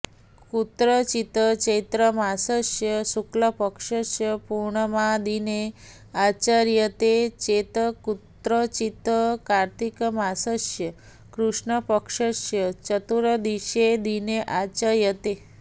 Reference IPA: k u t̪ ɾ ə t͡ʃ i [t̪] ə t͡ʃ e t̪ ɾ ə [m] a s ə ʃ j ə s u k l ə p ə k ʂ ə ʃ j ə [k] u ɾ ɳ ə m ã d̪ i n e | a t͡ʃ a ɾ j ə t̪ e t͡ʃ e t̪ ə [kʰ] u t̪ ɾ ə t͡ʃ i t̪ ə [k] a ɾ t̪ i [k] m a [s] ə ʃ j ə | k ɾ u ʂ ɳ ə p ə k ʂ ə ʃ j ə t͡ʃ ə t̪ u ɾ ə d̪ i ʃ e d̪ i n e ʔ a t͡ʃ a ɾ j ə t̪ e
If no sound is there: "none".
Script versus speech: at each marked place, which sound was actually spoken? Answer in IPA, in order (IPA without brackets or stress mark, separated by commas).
t̪, m, p, k, k, k, s